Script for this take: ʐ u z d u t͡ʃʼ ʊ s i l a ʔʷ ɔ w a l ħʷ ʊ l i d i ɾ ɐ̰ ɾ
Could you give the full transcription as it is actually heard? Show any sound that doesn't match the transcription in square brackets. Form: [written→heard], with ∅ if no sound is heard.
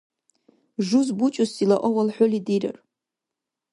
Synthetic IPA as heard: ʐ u z [d→b] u t͡ʃʼ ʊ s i l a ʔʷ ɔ w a l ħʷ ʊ l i d i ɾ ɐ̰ [ɾ→r]

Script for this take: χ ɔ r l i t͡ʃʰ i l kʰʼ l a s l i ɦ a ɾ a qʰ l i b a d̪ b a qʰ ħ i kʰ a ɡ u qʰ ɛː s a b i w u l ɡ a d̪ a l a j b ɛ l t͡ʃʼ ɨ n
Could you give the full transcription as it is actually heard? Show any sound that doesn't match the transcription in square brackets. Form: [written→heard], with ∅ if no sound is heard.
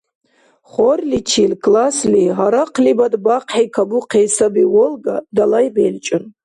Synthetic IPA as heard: χ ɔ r l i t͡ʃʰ i l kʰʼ l a s l i ɦ a ɾ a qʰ l i b a d̪ b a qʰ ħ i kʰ a ɡ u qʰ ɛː s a b i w [u→ɔ] l ɡ a d̪ a l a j b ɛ l t͡ʃʼ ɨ n

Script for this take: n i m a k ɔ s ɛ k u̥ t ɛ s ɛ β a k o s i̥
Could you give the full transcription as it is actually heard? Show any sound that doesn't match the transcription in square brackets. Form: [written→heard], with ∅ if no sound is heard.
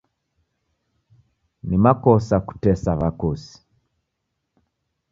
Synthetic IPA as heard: n i m a k ɔ s [ɛ→a] k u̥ t ɛ s [ɛ→a] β a k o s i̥

